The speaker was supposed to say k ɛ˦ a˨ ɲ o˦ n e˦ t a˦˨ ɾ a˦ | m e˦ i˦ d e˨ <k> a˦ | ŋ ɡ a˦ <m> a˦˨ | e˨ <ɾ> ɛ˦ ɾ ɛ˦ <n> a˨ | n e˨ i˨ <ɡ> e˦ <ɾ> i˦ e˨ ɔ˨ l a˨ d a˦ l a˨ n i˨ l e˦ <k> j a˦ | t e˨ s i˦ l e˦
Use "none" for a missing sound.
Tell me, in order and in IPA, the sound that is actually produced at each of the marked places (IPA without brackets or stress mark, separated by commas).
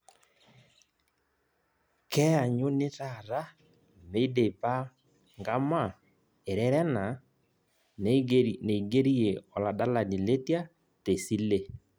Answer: p, m, ɾ, n, ɡ, ɾ, t